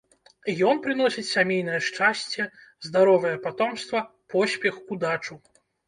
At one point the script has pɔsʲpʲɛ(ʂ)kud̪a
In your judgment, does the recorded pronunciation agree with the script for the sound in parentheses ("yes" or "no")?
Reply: no